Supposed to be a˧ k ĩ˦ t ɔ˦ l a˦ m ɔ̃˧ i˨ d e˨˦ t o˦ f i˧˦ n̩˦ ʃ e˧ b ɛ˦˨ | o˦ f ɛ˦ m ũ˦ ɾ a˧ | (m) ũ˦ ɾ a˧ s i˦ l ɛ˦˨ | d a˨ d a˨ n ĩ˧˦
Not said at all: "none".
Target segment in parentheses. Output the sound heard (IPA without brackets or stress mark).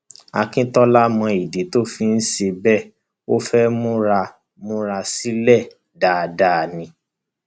m